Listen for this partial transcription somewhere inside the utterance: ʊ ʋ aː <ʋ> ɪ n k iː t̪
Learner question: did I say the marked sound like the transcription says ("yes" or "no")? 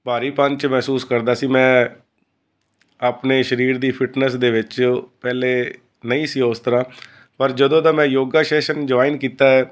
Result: no